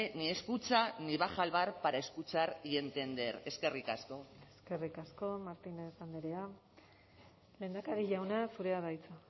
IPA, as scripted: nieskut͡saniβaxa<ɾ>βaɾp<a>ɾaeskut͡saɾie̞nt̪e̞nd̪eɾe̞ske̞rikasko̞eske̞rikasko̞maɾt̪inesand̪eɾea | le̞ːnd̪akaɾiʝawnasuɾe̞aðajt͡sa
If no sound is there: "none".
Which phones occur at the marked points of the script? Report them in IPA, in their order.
l, a

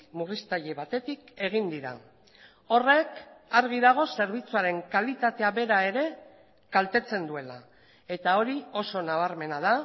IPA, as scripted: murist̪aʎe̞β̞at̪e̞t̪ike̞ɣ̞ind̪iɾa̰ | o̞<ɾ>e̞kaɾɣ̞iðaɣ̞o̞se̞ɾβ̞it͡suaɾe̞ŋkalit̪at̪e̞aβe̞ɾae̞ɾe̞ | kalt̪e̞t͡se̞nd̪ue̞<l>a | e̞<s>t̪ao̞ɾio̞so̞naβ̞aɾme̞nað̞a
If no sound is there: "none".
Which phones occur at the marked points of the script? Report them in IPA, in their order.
r, l, none

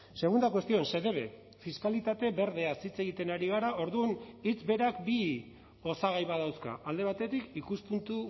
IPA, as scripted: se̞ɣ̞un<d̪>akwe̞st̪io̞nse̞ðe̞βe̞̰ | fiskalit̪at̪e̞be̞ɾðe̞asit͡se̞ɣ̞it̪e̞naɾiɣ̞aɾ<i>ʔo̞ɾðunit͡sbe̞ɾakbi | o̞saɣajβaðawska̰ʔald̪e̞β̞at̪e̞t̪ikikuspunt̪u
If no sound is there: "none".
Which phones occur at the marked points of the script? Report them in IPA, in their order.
d̪, a

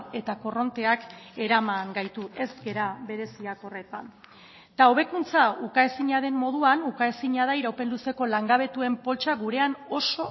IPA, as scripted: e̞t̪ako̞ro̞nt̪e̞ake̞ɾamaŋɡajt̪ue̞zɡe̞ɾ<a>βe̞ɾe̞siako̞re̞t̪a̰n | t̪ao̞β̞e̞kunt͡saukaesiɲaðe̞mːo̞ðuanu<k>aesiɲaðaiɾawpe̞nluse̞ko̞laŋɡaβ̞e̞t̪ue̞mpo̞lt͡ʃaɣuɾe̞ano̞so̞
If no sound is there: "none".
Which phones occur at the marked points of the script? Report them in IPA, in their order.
a, k

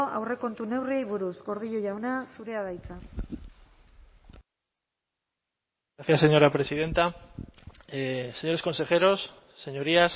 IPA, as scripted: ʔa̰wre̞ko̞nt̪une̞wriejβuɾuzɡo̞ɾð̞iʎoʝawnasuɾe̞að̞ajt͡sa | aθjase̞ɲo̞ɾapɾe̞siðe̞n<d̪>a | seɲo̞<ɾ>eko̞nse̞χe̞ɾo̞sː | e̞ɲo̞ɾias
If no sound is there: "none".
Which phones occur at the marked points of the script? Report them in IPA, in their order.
t̪, ɾ

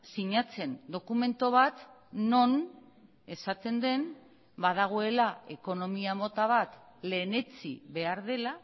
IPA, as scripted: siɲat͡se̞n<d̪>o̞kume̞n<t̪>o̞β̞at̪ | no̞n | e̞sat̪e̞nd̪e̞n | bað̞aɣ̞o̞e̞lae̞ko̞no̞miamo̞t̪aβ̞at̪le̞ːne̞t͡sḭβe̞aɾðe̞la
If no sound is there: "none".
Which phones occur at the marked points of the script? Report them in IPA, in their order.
d̪, t̪

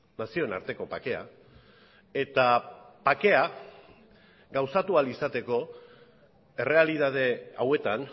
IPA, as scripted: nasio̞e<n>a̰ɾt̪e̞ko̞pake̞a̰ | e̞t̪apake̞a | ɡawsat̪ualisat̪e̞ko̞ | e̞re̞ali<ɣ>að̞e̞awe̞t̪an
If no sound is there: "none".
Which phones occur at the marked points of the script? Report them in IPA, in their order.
n, ð

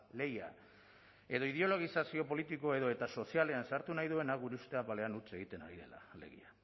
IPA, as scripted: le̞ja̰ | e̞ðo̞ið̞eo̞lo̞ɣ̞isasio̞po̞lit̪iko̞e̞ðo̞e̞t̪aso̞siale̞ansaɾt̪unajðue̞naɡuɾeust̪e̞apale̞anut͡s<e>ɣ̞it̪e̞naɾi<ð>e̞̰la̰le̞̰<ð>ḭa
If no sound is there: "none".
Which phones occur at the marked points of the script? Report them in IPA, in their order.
e, ð, ɣ

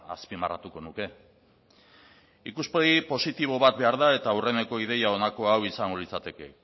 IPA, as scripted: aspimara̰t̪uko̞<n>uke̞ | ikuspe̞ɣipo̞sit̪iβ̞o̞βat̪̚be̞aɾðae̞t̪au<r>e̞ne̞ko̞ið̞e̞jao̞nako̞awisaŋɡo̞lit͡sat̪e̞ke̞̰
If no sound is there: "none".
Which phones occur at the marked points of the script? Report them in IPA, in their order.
n, r

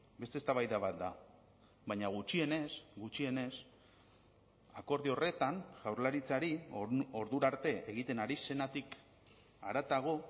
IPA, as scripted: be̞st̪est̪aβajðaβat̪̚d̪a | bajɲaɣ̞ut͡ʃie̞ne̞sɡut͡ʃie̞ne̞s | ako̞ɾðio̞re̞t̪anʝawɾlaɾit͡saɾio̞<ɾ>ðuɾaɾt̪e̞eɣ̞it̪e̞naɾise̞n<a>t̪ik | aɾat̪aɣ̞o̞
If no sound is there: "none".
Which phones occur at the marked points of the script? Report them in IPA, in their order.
ɾ, a

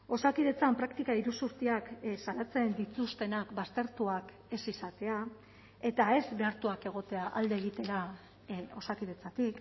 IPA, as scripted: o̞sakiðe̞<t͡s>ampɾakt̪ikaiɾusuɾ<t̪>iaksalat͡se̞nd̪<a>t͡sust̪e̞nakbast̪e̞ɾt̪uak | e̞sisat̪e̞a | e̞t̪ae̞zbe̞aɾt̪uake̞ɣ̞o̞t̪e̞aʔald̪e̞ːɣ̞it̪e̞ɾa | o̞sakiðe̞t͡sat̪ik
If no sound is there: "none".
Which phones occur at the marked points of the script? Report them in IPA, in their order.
t͡s, t̪, i

